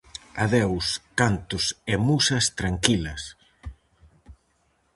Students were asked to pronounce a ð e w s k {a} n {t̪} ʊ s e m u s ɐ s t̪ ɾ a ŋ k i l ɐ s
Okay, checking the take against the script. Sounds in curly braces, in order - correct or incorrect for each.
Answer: correct, correct

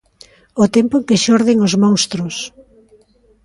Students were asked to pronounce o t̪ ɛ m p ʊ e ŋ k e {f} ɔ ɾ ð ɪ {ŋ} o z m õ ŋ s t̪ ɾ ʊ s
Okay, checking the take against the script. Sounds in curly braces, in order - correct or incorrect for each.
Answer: incorrect: ʃ, correct

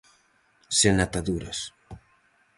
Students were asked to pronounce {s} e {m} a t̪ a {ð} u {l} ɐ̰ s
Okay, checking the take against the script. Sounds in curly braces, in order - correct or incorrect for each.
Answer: correct, incorrect: n, correct, incorrect: ɾ

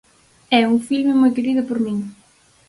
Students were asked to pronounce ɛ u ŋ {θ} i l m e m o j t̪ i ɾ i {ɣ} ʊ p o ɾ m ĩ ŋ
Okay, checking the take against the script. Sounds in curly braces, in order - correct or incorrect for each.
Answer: incorrect: f, incorrect: ð

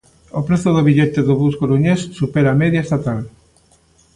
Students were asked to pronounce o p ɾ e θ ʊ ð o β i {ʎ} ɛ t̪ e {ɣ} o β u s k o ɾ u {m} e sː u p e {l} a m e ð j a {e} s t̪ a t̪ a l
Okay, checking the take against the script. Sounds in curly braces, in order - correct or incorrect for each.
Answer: correct, incorrect: ð, incorrect: ɲ, incorrect: ɾ, correct

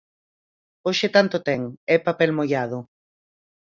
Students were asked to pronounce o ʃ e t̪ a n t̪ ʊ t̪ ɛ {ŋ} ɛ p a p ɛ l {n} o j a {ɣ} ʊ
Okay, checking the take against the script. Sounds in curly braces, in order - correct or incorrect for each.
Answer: correct, incorrect: m, incorrect: ð

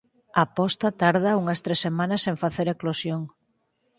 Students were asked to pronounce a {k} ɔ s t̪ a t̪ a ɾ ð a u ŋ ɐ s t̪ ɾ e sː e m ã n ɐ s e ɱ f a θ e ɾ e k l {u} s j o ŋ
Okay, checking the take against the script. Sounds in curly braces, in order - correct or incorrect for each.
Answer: incorrect: p, incorrect: o

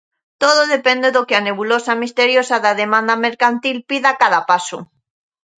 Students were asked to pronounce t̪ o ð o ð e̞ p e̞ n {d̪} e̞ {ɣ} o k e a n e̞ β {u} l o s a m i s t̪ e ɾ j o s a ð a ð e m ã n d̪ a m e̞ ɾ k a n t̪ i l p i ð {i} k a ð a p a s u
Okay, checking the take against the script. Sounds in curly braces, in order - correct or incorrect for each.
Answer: correct, incorrect: ð, correct, incorrect: a

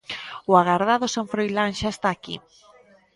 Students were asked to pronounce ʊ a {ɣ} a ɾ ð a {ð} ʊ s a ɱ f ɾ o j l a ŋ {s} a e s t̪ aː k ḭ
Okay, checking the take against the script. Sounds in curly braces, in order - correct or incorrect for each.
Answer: correct, correct, incorrect: ʃ

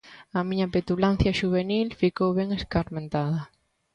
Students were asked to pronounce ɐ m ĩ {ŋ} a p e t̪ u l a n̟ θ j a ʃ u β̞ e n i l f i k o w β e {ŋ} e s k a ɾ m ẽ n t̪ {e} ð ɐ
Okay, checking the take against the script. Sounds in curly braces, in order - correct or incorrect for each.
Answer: incorrect: ɲ, correct, incorrect: a

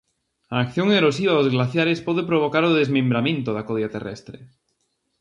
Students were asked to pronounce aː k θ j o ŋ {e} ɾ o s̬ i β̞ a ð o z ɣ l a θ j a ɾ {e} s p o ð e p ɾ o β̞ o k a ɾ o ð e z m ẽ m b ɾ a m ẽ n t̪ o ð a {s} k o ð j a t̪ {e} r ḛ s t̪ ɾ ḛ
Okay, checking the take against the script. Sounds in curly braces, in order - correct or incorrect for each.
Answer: correct, correct, incorrect: none, correct

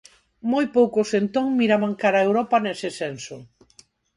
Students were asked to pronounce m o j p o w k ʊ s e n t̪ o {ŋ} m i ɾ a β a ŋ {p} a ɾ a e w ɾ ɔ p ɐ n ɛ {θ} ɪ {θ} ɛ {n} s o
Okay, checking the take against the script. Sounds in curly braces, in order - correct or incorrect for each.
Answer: correct, incorrect: k, incorrect: s, incorrect: s, correct

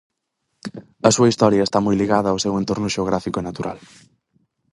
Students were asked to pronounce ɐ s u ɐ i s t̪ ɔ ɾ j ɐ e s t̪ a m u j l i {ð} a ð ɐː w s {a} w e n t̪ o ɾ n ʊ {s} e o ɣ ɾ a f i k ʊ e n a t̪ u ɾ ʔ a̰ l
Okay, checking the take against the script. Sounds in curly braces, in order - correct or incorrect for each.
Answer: incorrect: ɣ, incorrect: e, incorrect: ʃ

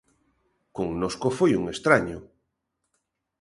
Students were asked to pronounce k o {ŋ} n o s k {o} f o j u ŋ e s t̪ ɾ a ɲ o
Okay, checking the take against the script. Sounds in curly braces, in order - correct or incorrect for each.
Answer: correct, correct

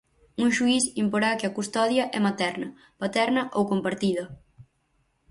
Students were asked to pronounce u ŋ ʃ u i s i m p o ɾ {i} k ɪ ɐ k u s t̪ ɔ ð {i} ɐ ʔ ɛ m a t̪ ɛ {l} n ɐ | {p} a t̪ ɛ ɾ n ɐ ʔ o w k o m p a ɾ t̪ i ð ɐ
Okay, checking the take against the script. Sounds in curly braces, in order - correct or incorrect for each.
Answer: incorrect: a, incorrect: j, incorrect: ɾ, correct

